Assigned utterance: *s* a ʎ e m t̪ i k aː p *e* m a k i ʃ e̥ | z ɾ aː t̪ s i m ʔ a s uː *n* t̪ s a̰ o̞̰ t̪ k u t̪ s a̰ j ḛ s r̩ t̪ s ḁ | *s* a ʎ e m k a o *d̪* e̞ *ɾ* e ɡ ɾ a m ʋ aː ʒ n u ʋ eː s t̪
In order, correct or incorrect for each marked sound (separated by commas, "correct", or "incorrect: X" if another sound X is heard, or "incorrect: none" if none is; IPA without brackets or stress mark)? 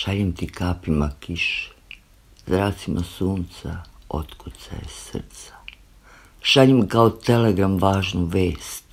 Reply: incorrect: ʃ, incorrect: i, correct, incorrect: ʃ, incorrect: t̪, incorrect: l